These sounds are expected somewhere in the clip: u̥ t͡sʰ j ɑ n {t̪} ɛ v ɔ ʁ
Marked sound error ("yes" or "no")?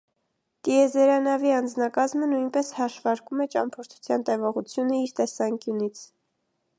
no